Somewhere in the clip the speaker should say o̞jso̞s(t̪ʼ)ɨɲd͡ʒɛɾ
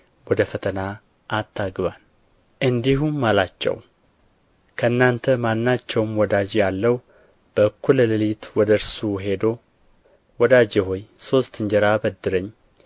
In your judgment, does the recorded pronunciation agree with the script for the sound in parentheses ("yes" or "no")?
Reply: no